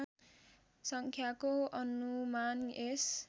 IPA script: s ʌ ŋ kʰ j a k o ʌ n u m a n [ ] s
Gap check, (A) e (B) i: A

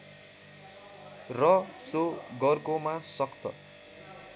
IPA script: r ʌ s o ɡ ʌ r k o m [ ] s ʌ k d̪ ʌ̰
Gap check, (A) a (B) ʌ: A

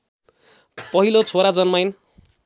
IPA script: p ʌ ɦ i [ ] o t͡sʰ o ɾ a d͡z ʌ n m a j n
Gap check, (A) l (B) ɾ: A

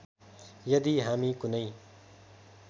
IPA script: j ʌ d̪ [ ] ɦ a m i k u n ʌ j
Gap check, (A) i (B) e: A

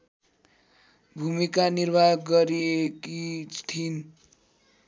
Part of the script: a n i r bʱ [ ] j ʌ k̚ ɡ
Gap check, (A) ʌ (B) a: B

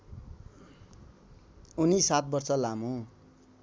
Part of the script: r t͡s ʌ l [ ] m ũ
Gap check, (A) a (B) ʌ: A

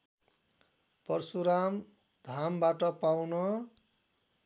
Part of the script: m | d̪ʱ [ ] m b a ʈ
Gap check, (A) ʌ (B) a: B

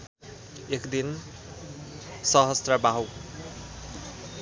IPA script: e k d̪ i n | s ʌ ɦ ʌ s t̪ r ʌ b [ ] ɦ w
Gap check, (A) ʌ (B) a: B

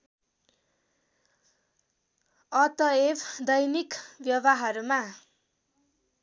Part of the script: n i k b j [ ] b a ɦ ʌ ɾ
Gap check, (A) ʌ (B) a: A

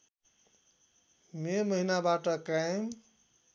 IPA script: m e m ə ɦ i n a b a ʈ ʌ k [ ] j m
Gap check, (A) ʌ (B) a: B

